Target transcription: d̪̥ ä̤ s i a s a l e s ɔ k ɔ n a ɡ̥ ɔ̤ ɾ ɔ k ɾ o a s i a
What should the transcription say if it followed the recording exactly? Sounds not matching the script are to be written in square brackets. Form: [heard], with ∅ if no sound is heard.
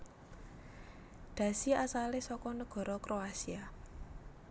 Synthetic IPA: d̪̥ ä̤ s i a s a l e s ɔ k ɔ n [ə] ɡ̥ ɔ̤ ɾ ɔ k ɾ o a s i a